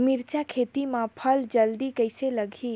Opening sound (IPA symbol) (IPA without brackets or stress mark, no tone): m